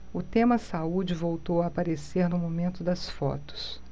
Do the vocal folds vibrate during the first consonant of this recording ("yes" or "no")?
no